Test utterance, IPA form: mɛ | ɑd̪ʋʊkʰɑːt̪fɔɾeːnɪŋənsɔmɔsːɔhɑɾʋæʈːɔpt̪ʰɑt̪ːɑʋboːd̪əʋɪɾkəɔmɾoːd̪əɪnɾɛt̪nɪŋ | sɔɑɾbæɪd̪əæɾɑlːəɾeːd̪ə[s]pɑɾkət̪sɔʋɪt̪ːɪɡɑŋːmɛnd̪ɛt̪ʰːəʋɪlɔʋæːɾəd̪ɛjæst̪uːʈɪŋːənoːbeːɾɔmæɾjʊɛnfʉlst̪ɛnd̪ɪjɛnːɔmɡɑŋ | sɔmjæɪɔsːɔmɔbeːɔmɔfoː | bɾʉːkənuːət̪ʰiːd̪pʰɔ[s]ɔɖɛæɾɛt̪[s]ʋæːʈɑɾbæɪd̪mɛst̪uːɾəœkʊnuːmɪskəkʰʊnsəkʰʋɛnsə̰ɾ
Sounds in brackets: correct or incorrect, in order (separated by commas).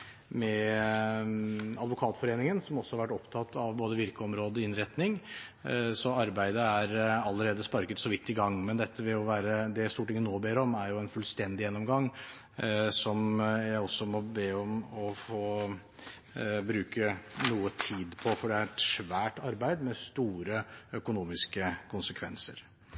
correct, incorrect, incorrect